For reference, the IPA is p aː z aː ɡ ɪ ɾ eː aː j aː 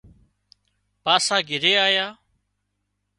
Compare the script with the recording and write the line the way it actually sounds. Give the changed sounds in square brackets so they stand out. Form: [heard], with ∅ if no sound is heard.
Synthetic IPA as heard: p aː [s] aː ɡ ɪ ɾ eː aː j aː